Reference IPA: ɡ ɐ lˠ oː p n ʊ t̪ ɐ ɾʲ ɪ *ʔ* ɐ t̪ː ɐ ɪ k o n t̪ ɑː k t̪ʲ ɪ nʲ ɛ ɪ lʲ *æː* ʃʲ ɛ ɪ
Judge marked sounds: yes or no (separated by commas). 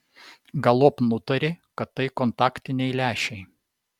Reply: no, yes